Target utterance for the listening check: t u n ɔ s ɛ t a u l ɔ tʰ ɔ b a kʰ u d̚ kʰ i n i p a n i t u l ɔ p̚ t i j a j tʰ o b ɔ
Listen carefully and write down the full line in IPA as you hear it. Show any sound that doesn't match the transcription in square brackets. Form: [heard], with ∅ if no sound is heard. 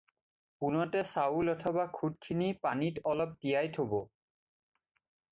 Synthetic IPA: [p] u n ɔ [t] ɛ [s] a u l ɔ tʰ ɔ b a kʰ u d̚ kʰ i n i p a n i t [ɔ] l ɔ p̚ t i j a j tʰ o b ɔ